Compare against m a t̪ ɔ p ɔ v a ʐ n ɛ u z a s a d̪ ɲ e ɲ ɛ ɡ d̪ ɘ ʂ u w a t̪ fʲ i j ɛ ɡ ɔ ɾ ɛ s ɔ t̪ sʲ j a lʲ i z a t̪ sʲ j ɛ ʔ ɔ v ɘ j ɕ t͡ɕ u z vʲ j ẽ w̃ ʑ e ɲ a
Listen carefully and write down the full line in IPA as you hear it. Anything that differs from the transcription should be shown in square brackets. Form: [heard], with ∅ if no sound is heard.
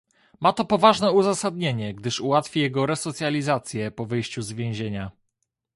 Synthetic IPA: m a t̪ ɔ p ɔ v a ʐ n ɛ u z a s a d̪ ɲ e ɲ ɛ ɡ d̪ ɘ ʂ u w a t̪ fʲ i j ɛ ɡ ɔ ɾ ɛ s ɔ t̪ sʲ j a lʲ i z a t̪ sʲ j ɛ [p] ɔ v ɘ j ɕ t͡ɕ u z vʲ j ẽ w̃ ʑ e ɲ a